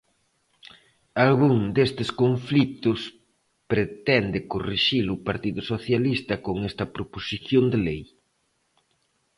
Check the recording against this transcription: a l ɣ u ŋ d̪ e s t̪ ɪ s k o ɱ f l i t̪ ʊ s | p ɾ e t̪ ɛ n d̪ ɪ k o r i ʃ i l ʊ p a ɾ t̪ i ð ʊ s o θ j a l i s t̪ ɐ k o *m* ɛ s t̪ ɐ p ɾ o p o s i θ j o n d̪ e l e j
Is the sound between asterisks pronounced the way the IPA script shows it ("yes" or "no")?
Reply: no